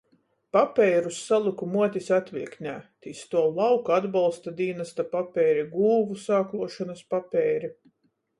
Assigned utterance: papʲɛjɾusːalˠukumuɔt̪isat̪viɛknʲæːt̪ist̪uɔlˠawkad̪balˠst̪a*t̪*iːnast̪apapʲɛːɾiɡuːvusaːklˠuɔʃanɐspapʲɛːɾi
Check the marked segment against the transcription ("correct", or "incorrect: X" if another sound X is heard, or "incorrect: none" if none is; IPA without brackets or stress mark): incorrect: d̪